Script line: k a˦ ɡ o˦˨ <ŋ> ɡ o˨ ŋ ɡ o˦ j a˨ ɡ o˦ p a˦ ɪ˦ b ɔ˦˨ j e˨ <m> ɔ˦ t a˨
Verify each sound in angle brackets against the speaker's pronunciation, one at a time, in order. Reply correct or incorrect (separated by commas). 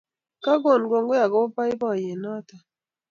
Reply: incorrect, incorrect